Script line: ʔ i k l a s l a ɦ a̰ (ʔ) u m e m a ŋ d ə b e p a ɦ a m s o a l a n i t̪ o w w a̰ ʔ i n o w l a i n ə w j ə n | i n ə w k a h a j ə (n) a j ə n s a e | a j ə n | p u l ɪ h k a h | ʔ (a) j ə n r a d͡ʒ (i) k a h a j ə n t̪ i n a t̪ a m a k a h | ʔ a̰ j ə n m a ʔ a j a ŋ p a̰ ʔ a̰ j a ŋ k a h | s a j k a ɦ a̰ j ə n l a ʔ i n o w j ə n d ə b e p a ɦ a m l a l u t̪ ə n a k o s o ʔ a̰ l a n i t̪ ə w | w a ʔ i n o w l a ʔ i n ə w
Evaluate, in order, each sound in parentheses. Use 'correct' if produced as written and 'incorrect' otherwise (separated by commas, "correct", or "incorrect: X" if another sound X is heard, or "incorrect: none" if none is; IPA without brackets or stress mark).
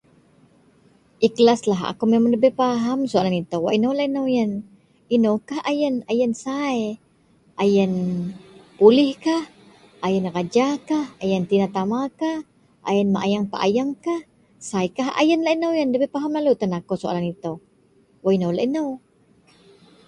incorrect: k, correct, correct, incorrect: a